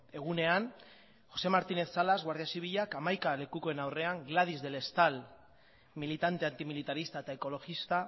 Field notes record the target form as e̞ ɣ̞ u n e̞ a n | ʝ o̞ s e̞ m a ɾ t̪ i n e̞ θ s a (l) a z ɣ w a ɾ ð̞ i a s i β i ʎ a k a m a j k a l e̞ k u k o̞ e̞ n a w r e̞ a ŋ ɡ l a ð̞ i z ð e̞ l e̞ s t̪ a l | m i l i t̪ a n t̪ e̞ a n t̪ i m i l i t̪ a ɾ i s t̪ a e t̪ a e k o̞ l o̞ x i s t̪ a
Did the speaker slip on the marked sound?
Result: no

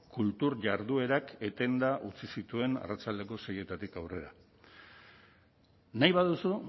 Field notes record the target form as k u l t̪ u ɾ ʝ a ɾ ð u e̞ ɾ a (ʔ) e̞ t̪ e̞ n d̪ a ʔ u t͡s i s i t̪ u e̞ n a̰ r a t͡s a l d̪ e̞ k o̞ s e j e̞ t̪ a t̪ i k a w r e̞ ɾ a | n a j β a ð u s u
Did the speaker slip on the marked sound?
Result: yes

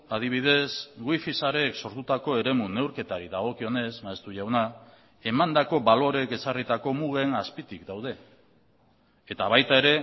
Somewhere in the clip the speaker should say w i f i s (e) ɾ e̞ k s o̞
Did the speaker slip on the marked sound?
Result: yes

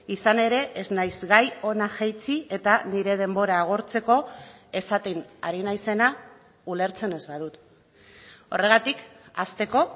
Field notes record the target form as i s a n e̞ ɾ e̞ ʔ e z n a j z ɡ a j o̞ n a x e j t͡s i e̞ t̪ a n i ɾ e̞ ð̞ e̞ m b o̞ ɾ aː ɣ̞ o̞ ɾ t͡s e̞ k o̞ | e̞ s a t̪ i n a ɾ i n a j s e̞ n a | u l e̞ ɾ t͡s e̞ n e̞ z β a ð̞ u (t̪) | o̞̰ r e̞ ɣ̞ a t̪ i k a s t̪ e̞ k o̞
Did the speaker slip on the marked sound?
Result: no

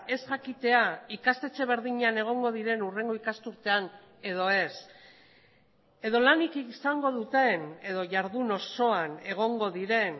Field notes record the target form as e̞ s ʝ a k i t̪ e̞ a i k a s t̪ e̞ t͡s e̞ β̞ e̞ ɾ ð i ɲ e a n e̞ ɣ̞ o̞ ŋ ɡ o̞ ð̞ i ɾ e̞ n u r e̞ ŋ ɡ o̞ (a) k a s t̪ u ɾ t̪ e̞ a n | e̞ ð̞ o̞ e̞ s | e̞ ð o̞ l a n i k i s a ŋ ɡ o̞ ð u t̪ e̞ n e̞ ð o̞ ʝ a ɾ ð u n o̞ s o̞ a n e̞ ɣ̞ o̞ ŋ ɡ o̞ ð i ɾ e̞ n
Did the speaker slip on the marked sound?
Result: yes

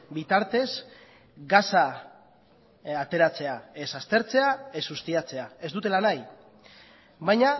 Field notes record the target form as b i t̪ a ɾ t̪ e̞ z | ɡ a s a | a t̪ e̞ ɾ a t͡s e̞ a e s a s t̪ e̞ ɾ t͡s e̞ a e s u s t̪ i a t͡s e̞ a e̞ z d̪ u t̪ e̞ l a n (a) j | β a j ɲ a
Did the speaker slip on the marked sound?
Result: no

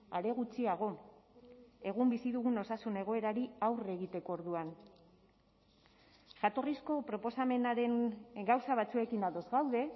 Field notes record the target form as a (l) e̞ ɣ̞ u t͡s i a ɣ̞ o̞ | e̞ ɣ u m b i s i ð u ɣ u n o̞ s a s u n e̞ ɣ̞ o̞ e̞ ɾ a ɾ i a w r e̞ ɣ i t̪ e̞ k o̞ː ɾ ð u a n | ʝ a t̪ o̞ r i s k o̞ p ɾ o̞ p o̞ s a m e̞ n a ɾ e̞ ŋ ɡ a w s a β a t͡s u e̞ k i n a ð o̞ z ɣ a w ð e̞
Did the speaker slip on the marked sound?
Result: yes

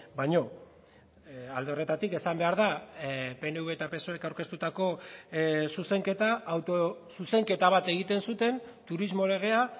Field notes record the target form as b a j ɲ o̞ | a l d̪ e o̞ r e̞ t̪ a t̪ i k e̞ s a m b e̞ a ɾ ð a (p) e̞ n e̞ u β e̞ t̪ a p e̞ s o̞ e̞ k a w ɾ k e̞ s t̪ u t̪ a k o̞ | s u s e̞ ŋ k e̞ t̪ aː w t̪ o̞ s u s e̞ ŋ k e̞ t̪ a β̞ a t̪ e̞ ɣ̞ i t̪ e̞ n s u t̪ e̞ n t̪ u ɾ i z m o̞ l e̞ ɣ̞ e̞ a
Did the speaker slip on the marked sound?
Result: no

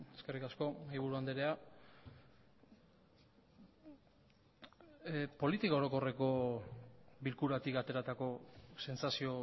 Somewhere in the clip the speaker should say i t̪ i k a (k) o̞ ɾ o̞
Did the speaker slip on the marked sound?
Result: yes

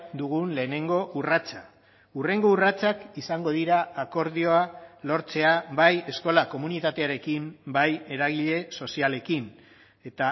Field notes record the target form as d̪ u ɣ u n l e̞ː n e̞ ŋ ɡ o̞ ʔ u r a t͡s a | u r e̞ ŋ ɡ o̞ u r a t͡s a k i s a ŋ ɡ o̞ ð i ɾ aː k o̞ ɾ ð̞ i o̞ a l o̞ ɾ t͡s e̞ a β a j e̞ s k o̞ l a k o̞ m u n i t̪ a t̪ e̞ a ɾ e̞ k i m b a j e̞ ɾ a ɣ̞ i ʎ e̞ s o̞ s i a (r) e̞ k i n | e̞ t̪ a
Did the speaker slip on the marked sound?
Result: yes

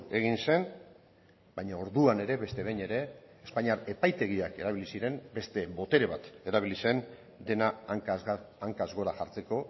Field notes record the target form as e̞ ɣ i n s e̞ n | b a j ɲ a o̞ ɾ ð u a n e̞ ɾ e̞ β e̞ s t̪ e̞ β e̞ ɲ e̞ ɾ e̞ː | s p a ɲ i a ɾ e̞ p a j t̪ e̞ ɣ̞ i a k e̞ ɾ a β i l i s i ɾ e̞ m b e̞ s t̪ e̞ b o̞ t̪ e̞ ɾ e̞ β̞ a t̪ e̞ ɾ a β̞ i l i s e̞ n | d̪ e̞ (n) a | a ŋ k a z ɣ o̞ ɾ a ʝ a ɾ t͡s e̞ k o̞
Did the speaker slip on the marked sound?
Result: no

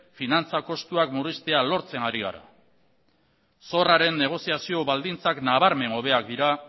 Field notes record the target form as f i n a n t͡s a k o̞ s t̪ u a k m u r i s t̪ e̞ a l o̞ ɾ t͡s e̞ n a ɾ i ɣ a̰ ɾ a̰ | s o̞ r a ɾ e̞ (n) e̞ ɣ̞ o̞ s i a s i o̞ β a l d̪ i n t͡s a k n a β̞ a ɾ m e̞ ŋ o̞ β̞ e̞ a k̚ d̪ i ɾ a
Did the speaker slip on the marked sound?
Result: yes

